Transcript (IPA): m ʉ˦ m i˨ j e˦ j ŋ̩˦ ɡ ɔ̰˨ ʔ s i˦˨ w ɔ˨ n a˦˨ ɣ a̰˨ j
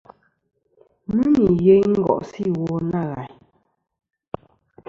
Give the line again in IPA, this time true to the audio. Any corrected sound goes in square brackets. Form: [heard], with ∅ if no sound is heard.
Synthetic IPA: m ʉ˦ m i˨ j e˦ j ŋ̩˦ ɡ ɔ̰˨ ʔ s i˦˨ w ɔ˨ n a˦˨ ɣ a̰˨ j

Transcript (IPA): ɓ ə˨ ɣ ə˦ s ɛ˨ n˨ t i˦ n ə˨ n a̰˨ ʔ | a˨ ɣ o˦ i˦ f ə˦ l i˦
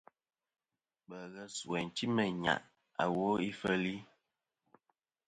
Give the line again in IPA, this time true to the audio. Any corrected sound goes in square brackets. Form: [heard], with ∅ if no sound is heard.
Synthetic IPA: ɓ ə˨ ɣ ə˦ s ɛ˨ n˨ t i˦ [m] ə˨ [ɲ] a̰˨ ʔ | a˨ [w] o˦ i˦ f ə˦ l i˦

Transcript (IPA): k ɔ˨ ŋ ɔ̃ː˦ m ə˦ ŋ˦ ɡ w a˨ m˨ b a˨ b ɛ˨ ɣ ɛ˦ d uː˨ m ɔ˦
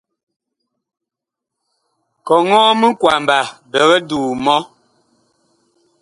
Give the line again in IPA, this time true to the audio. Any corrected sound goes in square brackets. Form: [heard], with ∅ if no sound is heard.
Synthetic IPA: k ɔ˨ ŋ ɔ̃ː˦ m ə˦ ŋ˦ [k] w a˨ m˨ b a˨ b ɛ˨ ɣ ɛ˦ d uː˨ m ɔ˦

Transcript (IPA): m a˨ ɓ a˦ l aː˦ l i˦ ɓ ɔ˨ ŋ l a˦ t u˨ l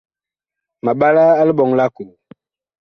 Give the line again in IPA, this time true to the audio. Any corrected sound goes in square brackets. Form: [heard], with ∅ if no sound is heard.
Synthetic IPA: m a˨ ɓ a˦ l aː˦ l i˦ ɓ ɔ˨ ŋ l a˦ [k] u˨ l

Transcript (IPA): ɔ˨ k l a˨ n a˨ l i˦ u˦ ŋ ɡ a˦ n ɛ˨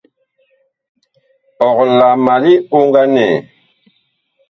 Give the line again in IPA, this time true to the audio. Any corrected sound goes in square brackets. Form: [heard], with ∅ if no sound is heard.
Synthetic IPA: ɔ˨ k l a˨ [m] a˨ l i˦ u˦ ŋ ɡ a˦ n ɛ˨

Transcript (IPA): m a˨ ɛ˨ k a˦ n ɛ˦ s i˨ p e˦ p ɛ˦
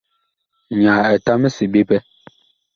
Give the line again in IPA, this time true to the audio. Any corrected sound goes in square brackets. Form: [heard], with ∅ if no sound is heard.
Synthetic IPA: [ɲ] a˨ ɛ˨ [t] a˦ [m] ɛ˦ s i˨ [b] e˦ p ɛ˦

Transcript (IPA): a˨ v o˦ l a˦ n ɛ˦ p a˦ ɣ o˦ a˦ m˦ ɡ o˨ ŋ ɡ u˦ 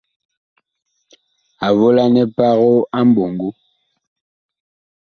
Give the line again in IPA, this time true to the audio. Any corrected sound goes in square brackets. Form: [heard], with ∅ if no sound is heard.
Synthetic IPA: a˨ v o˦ l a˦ n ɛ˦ p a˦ ɣ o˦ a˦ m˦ [b] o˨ ŋ ɡ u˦

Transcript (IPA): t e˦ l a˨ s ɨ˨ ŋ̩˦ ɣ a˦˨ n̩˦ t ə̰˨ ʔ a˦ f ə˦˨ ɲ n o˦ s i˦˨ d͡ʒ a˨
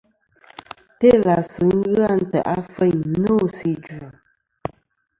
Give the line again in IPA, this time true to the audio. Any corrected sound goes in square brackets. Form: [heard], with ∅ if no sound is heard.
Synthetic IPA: t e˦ l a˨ s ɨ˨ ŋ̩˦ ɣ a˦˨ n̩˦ t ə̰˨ ʔ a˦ f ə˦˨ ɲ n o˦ s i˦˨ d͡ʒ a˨

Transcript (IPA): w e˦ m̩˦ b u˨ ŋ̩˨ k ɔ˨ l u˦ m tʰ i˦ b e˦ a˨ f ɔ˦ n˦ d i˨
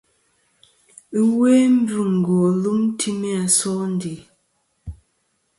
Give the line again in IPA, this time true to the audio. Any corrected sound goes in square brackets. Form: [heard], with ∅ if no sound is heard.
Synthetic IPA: w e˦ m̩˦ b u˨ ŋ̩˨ [ɡ] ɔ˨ l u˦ m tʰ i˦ [m] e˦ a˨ [s] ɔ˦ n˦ d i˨

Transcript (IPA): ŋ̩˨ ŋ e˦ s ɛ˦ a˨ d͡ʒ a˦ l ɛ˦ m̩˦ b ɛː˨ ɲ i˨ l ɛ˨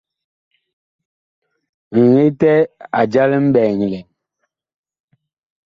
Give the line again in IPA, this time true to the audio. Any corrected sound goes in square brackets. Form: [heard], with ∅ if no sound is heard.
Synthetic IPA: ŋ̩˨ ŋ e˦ [t] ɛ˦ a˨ d͡ʒ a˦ l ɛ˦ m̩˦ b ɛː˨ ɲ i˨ l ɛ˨

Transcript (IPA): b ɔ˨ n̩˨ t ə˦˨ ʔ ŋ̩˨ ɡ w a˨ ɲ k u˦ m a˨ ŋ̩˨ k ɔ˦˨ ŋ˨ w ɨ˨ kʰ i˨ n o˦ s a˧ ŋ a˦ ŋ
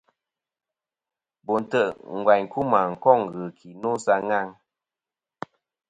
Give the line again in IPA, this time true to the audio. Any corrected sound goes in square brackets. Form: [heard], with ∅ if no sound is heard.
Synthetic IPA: b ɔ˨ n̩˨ t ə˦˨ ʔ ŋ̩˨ ɡ w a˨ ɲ k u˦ m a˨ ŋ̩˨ k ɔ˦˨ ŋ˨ [ɣ] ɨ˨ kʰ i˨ n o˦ s a˧ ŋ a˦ ŋ

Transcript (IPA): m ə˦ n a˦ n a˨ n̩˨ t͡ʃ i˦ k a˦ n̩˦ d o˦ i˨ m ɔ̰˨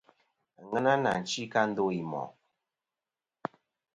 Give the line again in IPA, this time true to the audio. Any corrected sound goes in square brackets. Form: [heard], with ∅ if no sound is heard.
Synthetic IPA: [ŋ] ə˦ n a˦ n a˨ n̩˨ t͡ʃ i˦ k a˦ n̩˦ d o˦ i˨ m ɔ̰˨

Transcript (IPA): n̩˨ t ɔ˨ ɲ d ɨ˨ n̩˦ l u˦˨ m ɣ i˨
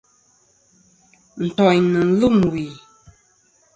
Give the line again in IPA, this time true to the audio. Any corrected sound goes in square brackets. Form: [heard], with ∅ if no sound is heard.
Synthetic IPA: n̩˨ t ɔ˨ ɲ [n] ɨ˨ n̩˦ l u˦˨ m [w] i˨

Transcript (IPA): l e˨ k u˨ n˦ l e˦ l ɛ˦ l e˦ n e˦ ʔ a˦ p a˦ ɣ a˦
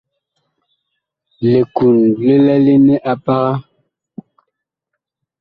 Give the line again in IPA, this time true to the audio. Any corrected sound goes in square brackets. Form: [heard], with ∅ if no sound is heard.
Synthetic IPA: l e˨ k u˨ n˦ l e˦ l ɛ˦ l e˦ n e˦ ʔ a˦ p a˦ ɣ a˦

